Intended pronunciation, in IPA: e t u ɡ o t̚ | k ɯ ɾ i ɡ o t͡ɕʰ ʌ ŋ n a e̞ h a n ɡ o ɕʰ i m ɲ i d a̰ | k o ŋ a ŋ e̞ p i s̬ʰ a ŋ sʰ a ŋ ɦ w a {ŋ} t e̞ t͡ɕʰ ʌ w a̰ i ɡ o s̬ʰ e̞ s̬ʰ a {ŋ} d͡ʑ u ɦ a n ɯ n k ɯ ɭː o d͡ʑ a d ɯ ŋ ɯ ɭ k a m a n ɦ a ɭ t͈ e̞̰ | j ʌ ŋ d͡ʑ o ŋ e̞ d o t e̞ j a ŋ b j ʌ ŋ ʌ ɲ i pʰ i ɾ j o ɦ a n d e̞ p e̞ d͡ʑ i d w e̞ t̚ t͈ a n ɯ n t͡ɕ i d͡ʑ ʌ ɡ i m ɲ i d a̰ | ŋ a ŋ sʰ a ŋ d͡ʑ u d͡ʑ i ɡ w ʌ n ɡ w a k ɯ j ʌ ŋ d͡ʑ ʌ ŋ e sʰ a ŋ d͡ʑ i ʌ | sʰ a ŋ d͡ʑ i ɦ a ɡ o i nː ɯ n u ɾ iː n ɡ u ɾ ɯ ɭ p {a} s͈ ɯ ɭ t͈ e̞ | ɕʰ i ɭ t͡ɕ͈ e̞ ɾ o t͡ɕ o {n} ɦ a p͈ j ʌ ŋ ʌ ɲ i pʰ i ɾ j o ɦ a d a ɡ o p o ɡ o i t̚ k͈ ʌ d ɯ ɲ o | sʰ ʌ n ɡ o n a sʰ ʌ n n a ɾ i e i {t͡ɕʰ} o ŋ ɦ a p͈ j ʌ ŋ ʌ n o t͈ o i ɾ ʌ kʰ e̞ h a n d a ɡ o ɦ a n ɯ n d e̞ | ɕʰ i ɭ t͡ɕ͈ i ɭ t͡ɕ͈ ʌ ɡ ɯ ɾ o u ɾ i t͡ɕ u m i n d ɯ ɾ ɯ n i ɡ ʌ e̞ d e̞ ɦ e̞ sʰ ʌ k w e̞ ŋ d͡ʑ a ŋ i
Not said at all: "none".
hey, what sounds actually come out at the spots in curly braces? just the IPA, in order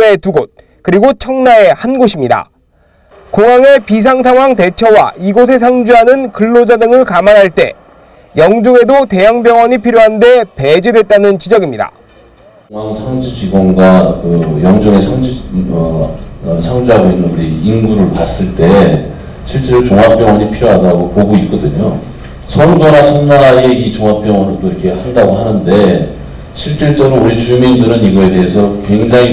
ŋ, ŋ, a, ŋ, t͡ɕ

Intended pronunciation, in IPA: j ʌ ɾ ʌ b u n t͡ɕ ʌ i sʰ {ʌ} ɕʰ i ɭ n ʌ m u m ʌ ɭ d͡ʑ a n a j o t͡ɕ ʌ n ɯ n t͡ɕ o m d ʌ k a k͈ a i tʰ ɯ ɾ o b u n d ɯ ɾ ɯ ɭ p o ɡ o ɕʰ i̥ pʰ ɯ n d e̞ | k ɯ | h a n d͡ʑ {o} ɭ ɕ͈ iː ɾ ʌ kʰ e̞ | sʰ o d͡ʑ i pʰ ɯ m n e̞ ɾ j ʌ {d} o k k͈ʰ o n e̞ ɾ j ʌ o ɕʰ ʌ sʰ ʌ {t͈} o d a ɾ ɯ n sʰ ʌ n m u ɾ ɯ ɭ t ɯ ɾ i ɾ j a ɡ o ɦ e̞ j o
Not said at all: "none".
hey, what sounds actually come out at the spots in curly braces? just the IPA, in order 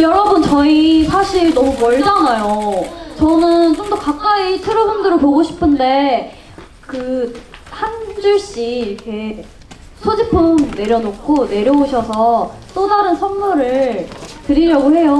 a, u, n, t͈

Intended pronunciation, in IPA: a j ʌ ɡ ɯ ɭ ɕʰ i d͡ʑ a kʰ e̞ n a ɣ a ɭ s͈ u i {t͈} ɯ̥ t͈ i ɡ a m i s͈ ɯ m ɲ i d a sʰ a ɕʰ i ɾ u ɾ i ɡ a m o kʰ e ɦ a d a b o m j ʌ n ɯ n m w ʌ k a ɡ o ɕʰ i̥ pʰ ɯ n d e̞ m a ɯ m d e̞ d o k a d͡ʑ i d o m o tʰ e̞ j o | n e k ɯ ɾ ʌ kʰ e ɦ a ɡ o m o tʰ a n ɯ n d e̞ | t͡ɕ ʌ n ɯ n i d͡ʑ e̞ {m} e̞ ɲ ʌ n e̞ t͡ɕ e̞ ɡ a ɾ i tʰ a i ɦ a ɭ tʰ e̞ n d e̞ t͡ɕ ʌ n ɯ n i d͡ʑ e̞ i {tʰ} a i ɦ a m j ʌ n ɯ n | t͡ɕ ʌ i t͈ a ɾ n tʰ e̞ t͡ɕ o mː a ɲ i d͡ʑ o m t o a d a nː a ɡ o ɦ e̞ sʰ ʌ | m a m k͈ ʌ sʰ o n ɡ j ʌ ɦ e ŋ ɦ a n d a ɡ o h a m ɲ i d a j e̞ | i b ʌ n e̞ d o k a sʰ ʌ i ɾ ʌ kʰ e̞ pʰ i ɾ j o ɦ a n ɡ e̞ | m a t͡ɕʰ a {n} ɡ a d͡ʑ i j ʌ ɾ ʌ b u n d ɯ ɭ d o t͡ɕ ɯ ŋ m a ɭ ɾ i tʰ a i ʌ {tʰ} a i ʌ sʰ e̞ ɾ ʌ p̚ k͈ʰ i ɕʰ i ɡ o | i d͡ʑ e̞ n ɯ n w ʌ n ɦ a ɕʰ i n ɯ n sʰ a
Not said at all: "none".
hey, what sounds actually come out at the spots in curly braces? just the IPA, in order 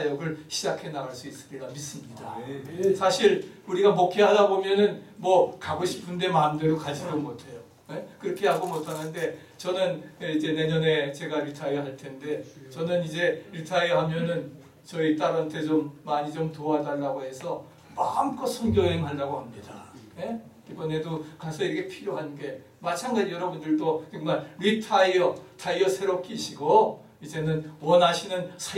s͈, n, tʰ, ŋ, tʰ

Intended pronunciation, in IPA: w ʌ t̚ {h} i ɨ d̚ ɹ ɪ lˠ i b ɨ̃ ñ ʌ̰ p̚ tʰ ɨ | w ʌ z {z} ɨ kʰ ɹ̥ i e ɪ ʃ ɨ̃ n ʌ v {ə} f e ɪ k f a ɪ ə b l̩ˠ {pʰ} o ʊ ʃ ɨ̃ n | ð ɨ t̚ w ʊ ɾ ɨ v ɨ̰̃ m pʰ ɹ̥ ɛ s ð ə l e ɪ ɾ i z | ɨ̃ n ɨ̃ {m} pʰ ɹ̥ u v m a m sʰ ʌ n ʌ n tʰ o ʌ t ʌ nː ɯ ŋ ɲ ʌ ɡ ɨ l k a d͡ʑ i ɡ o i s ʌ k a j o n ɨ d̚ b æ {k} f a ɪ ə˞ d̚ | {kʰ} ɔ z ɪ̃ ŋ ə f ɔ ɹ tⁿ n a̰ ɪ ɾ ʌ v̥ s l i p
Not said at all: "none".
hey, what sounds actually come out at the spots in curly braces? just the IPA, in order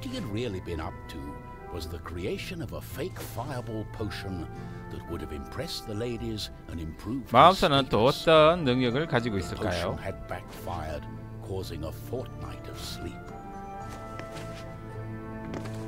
h, ð, ə, pʰ, m, k, kʰ

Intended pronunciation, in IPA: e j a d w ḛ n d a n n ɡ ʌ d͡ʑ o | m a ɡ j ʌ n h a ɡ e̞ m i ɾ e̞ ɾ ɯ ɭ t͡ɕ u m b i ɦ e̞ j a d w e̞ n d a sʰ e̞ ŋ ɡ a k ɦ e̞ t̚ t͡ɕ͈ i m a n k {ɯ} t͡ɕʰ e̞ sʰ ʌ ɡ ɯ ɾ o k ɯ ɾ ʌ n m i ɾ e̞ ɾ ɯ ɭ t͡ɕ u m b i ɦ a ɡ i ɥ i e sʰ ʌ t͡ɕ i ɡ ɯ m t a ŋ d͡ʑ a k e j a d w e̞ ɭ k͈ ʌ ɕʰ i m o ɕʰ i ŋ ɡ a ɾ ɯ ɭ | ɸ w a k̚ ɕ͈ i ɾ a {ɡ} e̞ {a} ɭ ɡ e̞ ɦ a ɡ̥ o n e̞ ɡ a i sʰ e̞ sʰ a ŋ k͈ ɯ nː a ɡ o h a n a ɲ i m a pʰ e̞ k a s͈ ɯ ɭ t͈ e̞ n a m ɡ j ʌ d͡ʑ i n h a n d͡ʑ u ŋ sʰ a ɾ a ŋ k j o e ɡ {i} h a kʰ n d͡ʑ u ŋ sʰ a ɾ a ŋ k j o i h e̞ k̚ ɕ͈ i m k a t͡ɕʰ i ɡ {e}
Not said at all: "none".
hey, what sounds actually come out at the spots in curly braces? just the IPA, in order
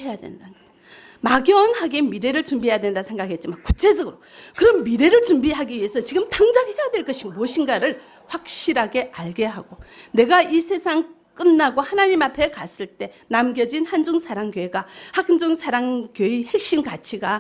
u, ɡ, a, a, a

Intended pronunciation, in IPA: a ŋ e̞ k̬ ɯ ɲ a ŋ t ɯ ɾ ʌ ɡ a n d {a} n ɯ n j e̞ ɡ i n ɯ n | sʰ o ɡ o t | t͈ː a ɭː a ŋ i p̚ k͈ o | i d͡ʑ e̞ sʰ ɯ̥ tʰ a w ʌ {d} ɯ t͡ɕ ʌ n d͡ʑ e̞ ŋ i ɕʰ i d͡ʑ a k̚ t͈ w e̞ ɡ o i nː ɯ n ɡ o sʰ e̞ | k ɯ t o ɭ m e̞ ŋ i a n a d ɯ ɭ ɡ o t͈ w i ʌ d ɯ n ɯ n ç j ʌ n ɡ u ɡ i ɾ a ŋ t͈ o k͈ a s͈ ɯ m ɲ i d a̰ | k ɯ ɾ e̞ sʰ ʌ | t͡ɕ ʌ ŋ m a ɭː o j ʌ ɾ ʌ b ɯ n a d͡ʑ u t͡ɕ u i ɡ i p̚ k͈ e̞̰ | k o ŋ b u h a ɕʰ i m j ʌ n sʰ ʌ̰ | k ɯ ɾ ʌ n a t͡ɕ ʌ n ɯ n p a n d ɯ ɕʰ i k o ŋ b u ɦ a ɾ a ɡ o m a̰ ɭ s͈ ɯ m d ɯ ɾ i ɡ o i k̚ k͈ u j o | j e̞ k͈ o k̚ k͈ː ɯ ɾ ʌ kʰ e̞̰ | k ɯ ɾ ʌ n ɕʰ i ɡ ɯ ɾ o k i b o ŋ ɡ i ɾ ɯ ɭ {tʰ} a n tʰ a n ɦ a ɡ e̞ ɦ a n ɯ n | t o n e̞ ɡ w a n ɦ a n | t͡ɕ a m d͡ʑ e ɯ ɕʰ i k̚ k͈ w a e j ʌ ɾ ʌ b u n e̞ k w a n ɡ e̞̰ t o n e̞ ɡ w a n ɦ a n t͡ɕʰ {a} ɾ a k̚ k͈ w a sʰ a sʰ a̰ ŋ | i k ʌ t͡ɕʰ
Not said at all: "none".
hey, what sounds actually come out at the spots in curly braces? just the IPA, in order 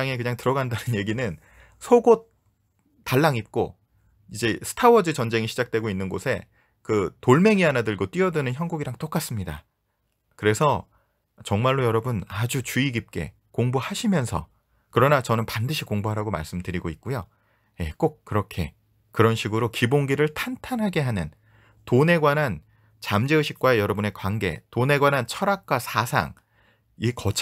a, d͡ʑ, tʰ, ʌ

